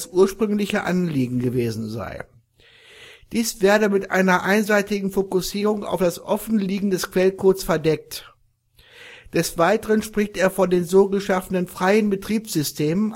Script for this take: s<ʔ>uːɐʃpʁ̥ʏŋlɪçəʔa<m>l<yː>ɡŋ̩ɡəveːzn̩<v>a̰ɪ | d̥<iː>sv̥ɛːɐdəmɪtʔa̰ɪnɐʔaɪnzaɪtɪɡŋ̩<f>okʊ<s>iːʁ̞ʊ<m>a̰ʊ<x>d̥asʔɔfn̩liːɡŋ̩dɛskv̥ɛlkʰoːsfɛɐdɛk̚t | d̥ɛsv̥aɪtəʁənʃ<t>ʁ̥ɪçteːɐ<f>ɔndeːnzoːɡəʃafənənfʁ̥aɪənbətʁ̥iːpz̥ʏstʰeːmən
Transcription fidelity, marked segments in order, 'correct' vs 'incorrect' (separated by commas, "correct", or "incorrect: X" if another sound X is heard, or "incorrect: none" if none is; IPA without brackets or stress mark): correct, incorrect: n, incorrect: iː, incorrect: z, correct, correct, correct, incorrect: ŋ, incorrect: f, incorrect: p, correct